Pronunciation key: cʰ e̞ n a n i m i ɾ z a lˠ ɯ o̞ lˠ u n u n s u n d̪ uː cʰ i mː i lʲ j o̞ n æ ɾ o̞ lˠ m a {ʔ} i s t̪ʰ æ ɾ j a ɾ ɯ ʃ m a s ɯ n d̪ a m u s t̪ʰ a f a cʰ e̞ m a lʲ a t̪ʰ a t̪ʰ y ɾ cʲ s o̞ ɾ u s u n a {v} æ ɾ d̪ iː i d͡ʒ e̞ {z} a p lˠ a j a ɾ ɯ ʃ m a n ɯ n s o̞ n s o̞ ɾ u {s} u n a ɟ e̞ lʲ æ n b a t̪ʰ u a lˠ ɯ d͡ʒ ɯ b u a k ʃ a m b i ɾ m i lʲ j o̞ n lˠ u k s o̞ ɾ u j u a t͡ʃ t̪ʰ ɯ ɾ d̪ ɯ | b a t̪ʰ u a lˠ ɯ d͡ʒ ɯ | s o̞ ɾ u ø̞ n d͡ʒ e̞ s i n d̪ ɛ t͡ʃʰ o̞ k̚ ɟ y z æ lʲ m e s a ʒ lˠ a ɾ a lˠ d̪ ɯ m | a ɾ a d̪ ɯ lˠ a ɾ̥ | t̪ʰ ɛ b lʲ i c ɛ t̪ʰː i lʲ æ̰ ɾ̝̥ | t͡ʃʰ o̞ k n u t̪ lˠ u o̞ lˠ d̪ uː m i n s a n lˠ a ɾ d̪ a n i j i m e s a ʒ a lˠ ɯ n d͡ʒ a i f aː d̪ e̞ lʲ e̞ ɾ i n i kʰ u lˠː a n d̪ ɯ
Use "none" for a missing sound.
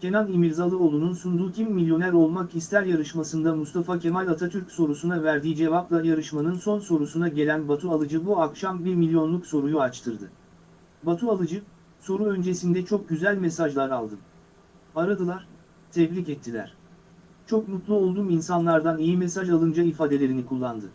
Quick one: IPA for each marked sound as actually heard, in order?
k, v, v, s

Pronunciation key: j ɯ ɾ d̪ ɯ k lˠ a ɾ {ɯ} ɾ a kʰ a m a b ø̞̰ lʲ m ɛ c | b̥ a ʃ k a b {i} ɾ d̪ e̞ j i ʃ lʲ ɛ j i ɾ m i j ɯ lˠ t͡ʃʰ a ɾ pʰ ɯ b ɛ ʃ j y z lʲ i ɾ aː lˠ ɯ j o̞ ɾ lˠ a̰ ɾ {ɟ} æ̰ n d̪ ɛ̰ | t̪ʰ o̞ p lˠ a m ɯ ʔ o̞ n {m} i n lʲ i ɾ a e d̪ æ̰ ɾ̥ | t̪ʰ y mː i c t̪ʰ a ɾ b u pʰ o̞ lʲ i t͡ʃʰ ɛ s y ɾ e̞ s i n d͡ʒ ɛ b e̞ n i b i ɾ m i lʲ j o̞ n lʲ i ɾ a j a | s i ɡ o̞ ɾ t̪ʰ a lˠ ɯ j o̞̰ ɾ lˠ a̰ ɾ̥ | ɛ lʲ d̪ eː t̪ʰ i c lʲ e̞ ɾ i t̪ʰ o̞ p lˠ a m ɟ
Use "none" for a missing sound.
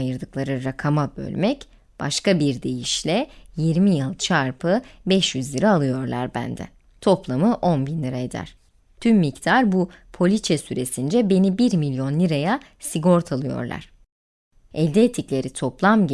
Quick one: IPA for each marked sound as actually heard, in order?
ɯ, i, b, b

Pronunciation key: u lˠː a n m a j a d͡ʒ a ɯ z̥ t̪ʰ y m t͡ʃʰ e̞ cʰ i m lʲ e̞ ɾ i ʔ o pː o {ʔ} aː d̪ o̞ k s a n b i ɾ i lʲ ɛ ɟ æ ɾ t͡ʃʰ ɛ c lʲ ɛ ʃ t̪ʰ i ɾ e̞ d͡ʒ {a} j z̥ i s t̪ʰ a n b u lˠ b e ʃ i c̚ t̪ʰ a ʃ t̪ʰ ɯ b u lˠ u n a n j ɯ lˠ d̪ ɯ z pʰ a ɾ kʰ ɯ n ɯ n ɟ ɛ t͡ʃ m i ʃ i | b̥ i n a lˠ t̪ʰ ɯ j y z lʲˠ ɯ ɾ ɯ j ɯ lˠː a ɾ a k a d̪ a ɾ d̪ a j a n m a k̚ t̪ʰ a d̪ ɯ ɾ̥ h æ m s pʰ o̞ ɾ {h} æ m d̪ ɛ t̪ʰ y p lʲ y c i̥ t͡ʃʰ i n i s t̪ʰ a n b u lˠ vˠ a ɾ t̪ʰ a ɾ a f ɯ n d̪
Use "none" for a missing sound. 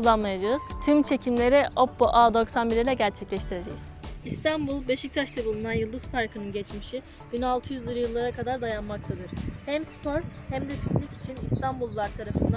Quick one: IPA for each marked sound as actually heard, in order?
ʔ, ɛ, h

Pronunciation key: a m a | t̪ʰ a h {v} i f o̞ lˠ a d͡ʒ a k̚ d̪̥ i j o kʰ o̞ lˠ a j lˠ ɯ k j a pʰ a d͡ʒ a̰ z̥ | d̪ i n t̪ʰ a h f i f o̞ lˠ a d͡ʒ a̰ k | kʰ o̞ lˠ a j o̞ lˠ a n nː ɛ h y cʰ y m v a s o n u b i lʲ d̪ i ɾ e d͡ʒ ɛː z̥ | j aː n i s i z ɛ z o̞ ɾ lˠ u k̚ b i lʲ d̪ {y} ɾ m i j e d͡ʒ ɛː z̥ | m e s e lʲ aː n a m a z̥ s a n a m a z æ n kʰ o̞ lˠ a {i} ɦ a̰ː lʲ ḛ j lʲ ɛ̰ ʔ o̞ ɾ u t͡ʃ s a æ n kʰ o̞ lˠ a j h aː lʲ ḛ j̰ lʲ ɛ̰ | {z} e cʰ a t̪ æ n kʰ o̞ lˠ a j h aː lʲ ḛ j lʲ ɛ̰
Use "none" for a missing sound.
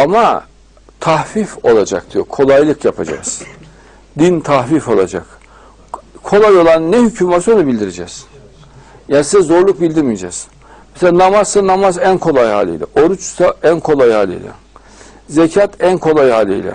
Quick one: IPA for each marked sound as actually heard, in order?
f, i, j, z

